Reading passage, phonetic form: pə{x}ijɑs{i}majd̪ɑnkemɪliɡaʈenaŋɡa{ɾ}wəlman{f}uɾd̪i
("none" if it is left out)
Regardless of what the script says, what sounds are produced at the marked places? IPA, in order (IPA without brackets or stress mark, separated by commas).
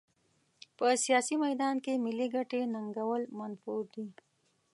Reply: s, i, none, f